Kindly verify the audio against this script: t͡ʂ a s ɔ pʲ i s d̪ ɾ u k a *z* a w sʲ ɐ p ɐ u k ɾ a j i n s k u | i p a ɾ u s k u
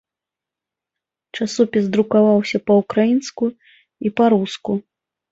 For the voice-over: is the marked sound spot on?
no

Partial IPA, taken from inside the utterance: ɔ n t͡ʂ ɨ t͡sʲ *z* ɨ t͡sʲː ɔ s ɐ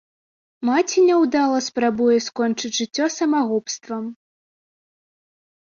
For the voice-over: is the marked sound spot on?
no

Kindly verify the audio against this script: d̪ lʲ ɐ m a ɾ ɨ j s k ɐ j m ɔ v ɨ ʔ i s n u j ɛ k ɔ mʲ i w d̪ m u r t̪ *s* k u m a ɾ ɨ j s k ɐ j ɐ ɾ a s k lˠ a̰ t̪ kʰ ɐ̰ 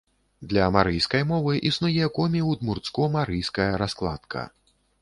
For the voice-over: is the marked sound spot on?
yes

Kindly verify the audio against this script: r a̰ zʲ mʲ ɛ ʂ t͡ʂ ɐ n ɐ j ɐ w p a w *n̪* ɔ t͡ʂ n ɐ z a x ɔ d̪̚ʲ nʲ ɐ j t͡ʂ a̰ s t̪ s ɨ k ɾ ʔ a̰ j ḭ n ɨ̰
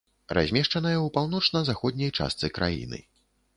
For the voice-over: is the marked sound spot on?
yes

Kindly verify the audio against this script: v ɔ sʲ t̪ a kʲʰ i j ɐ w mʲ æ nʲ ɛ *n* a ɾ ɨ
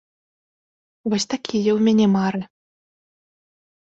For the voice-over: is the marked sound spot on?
no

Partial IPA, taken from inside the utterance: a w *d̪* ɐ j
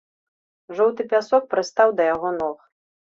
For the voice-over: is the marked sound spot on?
yes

